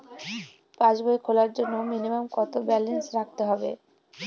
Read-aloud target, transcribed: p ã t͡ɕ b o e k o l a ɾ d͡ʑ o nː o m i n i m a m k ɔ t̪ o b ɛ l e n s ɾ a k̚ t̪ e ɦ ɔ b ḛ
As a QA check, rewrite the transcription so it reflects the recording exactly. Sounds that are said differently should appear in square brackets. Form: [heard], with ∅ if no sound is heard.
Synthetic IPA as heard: p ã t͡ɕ b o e [kʰ] o l a ɾ d͡ʑ o nː o m i n i m a m k ɔ t̪ o b ɛ l e n s ɾ a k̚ t̪ e ɦ ɔ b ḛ